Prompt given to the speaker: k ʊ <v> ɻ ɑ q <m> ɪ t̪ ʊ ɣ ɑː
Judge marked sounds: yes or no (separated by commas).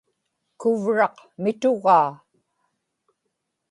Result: yes, yes